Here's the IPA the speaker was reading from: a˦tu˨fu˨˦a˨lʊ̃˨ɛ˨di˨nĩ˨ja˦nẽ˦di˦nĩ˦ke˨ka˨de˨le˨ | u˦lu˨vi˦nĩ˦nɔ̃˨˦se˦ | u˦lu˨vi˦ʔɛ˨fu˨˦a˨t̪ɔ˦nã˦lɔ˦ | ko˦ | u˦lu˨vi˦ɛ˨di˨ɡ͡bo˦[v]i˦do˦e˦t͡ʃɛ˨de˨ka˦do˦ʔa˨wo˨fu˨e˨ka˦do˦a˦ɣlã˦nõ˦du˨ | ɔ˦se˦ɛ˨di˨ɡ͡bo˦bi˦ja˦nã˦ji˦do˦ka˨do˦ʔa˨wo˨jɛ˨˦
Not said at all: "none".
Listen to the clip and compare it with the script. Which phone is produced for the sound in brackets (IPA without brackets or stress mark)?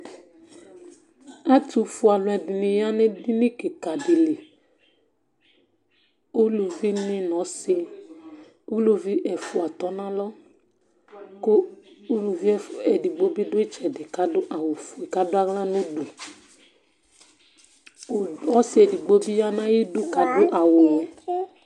b